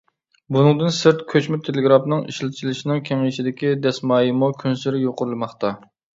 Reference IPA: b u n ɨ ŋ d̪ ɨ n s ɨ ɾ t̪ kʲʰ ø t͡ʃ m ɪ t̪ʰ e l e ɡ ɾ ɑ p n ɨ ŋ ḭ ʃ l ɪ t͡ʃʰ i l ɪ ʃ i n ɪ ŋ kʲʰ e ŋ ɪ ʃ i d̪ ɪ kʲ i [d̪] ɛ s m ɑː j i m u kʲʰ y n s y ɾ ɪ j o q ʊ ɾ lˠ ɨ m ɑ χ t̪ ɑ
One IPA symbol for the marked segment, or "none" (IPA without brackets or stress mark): d̪